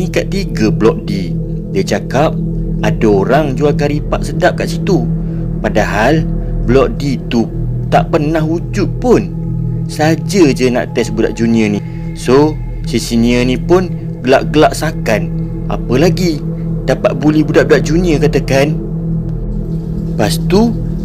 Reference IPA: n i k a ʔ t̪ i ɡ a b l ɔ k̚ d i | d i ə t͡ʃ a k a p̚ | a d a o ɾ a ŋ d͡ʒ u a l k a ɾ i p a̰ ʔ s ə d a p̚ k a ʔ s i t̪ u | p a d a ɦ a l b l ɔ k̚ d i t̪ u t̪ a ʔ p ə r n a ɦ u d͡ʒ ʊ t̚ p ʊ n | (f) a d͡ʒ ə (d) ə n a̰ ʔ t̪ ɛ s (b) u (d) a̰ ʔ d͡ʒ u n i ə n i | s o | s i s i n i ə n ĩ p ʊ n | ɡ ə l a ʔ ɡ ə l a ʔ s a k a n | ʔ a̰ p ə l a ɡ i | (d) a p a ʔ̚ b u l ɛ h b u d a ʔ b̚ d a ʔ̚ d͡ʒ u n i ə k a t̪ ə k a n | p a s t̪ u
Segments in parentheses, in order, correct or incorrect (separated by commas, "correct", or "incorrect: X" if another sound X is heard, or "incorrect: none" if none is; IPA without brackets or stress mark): incorrect: s, incorrect: d͡ʒ, correct, correct, correct